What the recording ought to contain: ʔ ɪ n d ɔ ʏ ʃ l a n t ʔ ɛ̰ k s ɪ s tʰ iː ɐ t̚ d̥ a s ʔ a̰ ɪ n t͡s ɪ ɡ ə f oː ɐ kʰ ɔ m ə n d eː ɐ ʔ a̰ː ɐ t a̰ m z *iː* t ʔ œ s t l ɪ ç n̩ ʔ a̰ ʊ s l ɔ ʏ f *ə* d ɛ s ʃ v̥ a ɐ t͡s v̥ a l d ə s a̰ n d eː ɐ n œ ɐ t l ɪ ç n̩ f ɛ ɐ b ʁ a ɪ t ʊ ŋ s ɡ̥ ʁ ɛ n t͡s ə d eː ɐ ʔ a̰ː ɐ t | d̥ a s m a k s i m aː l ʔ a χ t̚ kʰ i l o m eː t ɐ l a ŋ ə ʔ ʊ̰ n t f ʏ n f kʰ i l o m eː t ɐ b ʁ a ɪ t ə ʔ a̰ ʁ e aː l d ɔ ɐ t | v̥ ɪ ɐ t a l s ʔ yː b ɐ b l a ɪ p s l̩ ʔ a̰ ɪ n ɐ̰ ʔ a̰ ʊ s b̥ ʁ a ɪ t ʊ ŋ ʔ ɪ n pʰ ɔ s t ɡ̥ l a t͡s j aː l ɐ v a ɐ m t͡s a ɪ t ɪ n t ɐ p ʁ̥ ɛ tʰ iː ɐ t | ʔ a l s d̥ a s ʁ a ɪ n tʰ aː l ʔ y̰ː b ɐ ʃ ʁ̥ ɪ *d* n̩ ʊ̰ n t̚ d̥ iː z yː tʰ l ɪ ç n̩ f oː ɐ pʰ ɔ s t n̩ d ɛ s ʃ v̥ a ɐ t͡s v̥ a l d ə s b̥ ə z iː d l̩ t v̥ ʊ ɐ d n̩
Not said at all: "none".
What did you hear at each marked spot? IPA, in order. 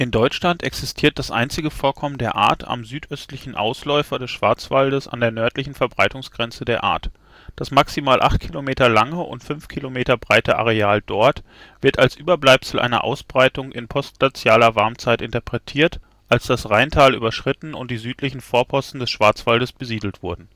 yː, ɐ, t

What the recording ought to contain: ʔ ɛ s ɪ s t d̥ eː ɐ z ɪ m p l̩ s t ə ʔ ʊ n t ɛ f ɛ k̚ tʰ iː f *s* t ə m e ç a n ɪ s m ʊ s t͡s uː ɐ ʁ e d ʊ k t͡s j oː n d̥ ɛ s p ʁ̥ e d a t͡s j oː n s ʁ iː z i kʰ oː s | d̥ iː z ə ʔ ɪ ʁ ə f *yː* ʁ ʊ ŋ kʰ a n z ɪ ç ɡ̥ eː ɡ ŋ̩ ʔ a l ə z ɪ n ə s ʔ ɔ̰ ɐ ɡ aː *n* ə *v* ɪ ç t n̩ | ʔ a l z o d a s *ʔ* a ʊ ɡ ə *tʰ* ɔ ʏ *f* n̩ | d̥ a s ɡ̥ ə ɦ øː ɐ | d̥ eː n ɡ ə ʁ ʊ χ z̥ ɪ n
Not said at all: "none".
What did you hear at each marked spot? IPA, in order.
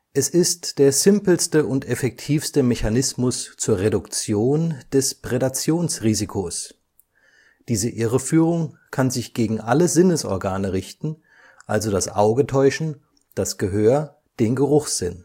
s, yː, n, ʁ, ʔ, tʰ, ʃ

